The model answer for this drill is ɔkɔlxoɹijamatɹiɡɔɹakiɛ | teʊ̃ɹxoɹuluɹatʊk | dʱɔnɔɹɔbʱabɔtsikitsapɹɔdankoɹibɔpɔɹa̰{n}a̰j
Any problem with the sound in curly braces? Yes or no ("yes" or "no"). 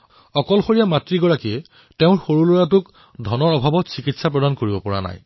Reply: no